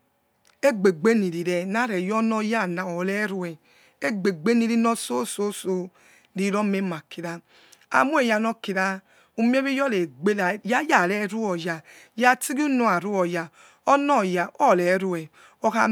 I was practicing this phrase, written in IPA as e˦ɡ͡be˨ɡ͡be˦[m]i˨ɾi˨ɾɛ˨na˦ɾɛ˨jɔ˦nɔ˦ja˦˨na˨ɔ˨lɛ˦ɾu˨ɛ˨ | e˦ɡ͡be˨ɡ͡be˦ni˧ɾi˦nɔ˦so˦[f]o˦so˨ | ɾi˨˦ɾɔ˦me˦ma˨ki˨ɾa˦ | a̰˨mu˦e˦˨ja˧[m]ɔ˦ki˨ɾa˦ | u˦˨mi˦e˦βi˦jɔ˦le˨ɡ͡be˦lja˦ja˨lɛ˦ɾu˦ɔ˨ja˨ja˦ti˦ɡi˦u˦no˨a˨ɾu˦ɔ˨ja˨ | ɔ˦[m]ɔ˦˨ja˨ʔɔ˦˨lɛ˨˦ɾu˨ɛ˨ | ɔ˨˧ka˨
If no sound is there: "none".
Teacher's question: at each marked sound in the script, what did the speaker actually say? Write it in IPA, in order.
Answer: n, s, n, n

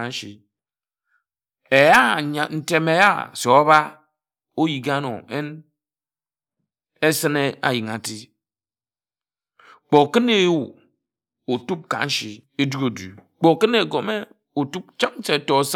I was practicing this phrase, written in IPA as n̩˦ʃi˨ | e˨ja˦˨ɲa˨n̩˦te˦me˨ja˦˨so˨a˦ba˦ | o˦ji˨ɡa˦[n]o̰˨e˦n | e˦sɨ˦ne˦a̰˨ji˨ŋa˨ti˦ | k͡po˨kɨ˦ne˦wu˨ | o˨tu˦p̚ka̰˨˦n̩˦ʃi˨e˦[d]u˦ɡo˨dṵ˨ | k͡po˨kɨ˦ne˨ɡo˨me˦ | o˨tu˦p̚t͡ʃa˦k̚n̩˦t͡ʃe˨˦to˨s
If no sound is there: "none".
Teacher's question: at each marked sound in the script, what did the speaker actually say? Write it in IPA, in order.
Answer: n, d

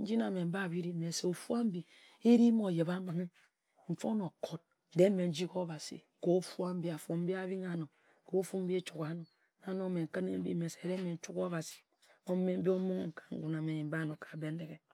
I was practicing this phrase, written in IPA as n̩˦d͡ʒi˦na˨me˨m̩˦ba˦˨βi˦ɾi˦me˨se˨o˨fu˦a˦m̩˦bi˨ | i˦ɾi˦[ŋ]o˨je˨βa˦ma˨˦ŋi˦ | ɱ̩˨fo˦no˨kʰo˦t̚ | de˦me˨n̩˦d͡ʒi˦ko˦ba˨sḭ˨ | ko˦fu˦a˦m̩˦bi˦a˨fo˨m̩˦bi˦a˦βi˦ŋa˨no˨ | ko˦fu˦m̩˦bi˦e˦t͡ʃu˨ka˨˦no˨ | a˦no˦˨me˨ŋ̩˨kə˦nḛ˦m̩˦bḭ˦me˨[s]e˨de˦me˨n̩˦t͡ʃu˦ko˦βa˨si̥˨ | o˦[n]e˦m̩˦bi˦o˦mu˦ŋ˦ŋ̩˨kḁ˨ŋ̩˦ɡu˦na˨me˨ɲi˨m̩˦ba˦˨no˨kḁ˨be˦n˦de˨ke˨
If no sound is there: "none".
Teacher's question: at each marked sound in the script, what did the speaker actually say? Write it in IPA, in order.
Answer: m, s, m

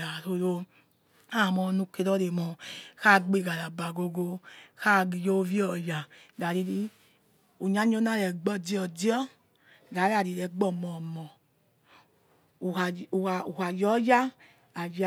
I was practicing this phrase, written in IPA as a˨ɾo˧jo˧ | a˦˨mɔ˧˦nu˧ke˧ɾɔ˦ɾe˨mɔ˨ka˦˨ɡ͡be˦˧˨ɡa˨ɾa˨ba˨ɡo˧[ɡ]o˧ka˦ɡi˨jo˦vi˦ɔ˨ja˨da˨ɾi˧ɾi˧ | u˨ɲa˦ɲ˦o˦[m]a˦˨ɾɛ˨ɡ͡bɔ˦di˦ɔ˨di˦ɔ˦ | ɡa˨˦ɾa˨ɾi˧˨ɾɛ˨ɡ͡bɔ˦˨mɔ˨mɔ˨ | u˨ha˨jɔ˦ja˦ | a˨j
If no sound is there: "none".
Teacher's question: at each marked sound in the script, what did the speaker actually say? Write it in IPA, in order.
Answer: ɡ, n

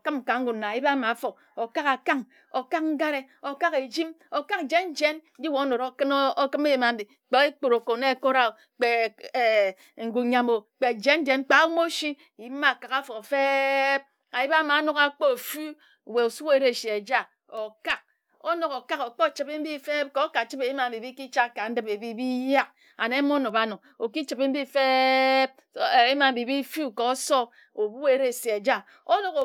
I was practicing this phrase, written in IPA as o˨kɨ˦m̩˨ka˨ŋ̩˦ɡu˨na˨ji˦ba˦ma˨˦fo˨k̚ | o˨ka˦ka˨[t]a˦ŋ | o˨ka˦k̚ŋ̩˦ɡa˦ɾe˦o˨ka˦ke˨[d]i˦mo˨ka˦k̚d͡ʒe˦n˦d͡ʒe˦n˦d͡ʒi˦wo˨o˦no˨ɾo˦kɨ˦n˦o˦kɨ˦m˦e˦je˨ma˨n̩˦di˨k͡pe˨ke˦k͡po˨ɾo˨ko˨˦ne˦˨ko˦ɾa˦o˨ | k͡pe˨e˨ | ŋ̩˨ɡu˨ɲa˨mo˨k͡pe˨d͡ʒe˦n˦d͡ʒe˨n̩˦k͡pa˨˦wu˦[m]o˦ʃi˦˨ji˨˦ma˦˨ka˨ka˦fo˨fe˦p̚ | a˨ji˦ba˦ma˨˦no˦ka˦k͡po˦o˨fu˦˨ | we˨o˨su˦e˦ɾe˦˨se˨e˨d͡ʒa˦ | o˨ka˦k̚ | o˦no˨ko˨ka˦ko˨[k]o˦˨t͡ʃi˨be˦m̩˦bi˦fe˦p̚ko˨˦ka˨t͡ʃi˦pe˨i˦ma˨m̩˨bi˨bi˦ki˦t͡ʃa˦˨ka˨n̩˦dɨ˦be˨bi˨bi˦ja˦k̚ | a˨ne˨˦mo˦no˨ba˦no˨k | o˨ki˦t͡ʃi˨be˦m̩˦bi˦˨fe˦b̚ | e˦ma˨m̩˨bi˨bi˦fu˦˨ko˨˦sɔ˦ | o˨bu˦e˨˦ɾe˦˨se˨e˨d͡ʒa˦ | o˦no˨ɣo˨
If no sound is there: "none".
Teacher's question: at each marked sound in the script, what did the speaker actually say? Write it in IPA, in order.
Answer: k, d͡ʒ, m, k͡p

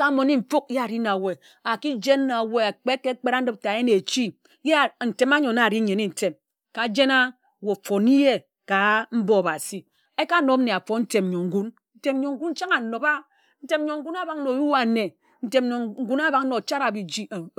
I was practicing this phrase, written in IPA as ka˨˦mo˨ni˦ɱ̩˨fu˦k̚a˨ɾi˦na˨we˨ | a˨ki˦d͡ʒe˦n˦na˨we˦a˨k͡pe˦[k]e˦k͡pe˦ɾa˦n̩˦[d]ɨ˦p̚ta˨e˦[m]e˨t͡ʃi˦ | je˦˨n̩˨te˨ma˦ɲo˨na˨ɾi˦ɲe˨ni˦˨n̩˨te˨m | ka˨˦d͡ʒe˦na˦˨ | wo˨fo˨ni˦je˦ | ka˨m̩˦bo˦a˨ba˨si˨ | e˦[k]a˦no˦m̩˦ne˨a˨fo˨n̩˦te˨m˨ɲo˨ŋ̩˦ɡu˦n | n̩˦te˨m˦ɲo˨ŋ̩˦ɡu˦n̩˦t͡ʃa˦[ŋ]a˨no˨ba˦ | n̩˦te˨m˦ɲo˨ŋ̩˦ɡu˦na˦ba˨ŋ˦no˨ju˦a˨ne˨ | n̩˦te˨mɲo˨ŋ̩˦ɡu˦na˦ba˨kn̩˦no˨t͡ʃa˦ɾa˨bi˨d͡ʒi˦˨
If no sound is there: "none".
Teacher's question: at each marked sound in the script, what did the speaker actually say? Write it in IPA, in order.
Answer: k, d, n, k, ŋ

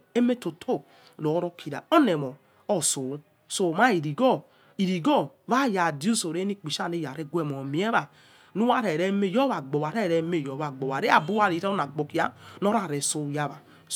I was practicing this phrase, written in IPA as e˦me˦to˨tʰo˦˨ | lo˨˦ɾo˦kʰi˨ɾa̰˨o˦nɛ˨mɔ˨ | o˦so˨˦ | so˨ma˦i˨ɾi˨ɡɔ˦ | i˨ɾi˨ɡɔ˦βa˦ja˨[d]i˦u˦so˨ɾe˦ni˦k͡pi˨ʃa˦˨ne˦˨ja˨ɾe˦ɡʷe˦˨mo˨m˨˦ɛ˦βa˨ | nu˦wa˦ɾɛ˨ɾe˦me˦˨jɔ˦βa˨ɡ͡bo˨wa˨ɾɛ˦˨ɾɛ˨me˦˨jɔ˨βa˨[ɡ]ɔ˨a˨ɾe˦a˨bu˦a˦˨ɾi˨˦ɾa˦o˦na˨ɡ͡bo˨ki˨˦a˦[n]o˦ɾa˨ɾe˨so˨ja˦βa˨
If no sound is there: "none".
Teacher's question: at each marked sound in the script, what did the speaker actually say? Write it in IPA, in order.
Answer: d, ɡ͡b, n

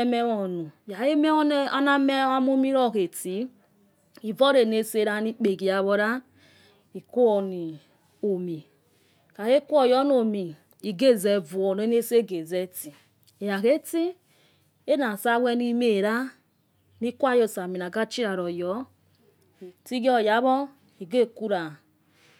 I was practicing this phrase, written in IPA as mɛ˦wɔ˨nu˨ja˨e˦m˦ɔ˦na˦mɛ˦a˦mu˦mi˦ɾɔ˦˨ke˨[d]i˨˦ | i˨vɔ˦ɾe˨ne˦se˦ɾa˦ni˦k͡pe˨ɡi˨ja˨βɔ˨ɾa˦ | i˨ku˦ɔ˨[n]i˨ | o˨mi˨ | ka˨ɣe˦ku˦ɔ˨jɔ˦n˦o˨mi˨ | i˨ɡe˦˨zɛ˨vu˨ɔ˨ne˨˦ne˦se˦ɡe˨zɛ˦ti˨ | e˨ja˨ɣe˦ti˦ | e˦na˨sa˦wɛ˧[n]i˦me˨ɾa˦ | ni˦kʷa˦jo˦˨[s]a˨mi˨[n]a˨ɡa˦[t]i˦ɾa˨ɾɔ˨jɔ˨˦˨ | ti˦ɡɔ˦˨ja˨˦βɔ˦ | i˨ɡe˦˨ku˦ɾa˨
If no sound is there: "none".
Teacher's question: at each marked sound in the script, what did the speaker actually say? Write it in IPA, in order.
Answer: t, n, n, s, n, t͡ʃ

